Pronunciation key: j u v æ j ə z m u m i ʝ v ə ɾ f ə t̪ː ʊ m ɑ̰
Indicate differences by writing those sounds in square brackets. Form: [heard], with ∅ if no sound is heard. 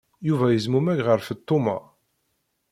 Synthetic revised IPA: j u v æ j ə z m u m [æ] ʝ [ʁ] ə ɾ f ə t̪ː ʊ m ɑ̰